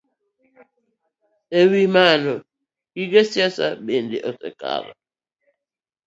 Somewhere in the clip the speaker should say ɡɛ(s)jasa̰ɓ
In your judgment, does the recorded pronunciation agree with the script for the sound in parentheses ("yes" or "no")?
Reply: yes